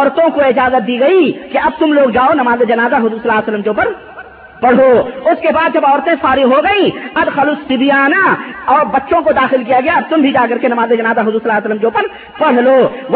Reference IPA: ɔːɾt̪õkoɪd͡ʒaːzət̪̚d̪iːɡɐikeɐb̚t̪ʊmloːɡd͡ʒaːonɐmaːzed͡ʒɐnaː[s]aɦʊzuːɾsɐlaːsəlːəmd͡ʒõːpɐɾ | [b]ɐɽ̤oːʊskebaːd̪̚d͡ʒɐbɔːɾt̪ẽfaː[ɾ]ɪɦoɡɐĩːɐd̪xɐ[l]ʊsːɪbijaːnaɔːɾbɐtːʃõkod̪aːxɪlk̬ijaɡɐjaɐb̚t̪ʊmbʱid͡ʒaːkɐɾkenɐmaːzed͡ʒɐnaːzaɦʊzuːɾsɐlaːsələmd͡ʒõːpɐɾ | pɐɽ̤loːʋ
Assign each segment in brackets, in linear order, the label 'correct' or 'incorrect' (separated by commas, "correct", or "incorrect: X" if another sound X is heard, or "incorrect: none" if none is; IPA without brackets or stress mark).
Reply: incorrect: z, incorrect: p, correct, correct